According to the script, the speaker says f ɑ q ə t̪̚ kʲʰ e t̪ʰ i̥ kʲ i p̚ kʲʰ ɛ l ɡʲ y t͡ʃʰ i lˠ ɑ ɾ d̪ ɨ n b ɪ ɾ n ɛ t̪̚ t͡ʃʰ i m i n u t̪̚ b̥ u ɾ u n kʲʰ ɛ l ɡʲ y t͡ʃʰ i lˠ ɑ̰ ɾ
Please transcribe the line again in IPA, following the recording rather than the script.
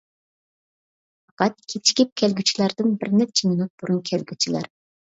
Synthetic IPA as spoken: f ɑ q ɑ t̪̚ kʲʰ e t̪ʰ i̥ kʲ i p̚ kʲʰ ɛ l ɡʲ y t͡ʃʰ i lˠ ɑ ɾ d̪ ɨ n b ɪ ɾ n ɛ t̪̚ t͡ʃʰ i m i n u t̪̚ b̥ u ɾ u n kʲʰ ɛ l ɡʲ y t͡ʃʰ i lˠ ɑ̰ ɾ